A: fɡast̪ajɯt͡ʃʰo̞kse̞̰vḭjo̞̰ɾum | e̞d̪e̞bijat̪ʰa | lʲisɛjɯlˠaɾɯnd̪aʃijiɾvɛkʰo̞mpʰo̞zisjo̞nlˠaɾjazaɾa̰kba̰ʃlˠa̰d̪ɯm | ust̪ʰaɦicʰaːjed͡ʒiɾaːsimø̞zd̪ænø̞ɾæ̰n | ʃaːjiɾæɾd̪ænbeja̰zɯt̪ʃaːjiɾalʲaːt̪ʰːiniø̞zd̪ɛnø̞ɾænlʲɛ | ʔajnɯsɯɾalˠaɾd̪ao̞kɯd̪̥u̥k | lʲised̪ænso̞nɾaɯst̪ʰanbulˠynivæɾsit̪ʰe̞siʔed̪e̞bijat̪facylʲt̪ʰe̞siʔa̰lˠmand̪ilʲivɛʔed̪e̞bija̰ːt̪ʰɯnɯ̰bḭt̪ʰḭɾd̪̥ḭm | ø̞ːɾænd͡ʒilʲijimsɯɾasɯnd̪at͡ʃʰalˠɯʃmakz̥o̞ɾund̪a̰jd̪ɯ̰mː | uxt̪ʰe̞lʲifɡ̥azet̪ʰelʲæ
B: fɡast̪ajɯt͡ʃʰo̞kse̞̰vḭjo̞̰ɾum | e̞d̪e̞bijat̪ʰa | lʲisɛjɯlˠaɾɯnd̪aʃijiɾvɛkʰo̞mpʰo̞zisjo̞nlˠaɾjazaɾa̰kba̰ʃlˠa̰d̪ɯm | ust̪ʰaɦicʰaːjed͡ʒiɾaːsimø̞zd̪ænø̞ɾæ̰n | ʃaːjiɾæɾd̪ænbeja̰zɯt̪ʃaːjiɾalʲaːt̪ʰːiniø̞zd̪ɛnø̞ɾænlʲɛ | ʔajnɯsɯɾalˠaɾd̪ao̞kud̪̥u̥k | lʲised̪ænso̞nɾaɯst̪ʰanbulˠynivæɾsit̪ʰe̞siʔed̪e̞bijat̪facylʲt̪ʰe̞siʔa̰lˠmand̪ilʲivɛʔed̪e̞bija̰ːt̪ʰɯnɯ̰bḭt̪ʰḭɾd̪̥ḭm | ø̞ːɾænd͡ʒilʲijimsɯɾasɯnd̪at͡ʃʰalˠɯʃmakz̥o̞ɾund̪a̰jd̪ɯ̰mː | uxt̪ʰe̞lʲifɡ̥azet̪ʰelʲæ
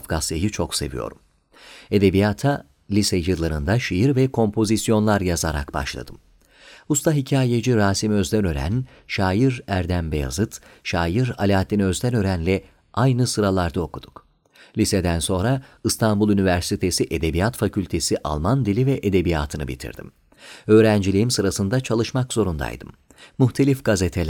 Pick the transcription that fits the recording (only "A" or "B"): B